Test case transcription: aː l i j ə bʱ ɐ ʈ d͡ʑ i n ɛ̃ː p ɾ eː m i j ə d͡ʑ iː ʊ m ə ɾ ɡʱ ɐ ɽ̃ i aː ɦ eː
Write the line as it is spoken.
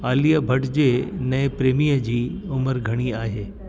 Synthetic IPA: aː l i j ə bʱ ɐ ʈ d͡ʑ e n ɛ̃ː p ɾ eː m i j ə d͡ʑ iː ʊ m ə ɾ ɡʱ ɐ ɽ̃ i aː ɦ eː